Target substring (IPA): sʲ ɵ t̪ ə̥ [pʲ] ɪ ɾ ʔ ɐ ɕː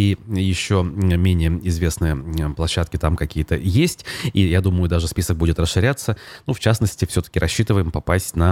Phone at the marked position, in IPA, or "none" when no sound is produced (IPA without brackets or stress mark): kʲ